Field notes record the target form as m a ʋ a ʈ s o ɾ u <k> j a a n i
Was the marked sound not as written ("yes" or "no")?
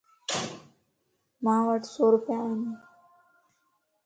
yes